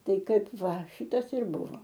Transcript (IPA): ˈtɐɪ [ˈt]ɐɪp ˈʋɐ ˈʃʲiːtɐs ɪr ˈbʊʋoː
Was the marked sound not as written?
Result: yes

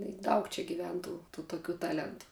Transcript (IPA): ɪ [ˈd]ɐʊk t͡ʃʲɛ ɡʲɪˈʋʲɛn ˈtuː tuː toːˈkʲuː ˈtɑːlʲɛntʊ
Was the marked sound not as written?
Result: no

